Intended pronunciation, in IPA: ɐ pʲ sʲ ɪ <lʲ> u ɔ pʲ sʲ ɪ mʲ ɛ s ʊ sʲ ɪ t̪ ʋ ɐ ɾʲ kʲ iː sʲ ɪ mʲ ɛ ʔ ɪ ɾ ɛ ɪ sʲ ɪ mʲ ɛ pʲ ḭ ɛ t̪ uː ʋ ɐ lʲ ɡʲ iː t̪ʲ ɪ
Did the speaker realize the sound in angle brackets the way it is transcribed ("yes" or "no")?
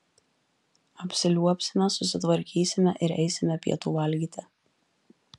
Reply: yes